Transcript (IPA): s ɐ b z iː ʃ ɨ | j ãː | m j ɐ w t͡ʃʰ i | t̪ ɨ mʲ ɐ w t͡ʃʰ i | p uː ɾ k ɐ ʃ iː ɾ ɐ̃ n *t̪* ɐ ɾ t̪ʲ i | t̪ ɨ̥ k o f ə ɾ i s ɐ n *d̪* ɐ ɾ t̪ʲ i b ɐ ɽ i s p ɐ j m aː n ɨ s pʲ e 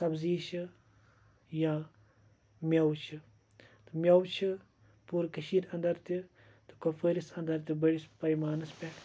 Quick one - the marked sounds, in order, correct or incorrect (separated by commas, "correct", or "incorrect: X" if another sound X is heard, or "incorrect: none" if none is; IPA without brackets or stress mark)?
incorrect: d̪, correct